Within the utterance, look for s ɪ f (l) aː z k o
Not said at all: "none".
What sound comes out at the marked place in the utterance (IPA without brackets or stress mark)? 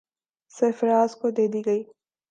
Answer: ɾ